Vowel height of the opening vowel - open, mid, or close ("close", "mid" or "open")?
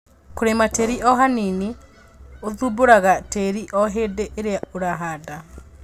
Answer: mid